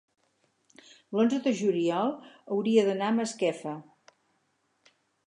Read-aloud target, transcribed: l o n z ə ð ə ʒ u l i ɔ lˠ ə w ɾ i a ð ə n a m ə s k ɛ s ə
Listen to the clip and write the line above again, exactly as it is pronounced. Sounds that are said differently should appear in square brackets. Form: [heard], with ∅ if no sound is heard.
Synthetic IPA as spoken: l o n z ə ð ə ʒ u l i ɔ lˠ ə w ɾ i [ə] ð ə n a m ə s k ɛ [f] ə